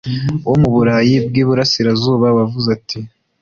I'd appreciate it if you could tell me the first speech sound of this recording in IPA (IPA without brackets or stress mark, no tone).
w